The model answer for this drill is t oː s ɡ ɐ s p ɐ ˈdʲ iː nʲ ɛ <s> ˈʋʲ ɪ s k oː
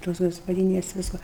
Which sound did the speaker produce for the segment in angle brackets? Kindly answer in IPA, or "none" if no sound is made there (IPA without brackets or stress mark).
s